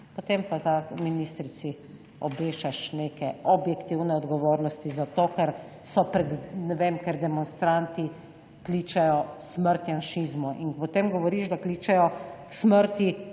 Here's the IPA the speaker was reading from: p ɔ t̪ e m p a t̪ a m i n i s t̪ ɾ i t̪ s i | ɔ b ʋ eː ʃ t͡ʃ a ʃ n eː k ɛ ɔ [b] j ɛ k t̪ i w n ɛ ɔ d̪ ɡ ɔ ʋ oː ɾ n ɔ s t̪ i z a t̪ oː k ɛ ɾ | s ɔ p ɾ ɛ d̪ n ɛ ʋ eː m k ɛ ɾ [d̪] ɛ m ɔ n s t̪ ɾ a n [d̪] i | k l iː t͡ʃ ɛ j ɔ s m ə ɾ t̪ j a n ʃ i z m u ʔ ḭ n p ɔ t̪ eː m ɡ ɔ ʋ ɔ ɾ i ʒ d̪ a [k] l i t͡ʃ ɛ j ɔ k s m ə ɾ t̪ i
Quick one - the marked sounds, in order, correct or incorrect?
correct, correct, incorrect, correct

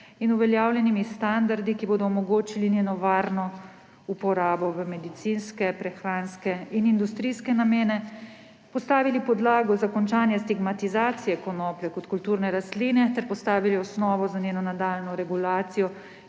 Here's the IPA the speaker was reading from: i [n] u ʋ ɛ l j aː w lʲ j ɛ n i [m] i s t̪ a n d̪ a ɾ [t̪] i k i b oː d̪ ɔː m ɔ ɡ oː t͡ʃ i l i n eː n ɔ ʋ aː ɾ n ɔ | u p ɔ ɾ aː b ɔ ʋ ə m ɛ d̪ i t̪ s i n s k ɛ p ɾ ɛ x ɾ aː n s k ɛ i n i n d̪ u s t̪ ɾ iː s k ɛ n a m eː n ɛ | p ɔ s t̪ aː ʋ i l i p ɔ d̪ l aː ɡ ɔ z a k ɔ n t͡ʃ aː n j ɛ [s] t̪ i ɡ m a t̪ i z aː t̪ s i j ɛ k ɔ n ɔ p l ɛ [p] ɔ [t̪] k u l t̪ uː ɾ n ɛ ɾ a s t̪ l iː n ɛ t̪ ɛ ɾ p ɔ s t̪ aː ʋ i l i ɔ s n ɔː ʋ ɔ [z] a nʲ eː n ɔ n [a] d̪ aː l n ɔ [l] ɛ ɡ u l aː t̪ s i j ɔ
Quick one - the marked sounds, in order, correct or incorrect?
correct, correct, incorrect, correct, incorrect, correct, correct, correct, incorrect

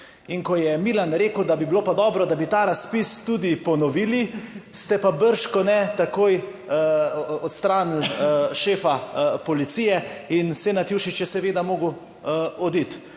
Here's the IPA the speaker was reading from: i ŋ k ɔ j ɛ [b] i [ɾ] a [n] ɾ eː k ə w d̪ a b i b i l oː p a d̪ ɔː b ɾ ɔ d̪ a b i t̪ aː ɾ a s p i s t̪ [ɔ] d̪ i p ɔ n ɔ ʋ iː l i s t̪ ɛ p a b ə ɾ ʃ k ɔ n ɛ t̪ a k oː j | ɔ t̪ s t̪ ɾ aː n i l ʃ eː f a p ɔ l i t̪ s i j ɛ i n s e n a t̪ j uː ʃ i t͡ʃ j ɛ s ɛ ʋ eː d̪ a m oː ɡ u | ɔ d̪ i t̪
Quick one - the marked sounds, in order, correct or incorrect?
incorrect, incorrect, correct, incorrect

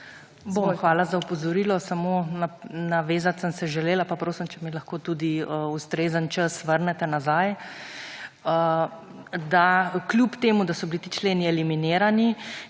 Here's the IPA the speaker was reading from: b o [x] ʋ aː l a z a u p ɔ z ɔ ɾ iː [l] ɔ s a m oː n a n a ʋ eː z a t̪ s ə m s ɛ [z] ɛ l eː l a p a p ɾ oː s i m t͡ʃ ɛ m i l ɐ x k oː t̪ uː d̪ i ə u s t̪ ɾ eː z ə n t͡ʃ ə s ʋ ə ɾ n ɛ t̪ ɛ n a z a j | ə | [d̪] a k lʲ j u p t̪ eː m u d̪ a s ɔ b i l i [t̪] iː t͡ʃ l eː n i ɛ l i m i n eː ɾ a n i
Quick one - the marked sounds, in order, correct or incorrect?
correct, correct, incorrect, correct, correct

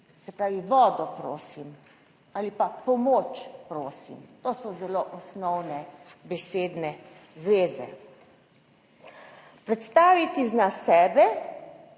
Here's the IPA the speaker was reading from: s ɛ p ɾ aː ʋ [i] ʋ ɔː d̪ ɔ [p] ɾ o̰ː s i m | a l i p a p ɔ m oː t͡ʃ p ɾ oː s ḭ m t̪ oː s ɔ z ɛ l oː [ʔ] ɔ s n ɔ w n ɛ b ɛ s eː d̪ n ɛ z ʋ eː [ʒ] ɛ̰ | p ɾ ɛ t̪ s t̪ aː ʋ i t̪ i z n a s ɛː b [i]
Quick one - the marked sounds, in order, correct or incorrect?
correct, correct, correct, incorrect, incorrect

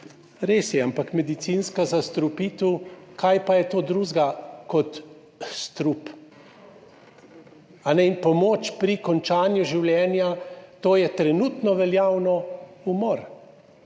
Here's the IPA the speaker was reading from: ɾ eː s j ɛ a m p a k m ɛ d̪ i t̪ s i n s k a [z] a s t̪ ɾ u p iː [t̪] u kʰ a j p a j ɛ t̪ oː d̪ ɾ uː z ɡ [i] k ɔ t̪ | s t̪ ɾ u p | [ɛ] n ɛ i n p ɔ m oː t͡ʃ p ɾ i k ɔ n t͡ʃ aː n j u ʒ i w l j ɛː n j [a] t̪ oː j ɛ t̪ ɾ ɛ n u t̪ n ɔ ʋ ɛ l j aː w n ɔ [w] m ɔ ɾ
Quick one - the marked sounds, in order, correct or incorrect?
correct, correct, incorrect, incorrect, correct, incorrect

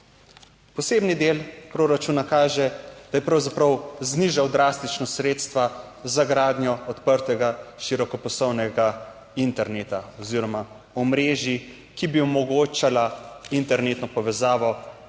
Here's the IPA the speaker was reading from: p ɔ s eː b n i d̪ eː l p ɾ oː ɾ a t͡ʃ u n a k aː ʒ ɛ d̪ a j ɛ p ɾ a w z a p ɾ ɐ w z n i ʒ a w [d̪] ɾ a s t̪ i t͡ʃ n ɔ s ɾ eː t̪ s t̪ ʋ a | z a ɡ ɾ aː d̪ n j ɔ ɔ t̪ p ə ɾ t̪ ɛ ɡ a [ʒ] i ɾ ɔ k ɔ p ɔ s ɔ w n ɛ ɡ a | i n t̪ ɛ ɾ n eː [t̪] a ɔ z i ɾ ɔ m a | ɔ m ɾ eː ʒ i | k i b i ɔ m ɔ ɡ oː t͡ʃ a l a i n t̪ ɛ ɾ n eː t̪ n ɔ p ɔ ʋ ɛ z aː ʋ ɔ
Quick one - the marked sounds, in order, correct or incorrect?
correct, incorrect, correct

